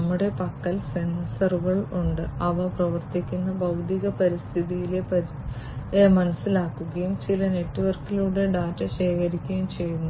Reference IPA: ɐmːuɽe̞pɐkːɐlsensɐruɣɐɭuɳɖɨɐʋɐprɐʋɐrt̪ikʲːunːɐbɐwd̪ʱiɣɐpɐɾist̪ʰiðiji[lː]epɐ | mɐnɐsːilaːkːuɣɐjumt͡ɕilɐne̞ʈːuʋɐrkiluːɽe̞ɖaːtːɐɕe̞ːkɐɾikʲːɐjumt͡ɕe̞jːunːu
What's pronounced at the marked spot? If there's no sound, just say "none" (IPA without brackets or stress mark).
l